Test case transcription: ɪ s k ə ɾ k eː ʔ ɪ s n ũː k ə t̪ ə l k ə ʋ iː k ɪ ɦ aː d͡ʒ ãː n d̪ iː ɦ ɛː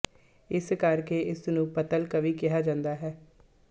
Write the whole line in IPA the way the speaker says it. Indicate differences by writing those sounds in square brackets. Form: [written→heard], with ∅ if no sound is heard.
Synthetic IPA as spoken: ɪ s k ə ɾ k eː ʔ ɪ s n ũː [k→p] ə t̪ ə l k ə ʋ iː k ɪ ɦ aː d͡ʒ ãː n d̪ [iː→aː] ɦ ɛː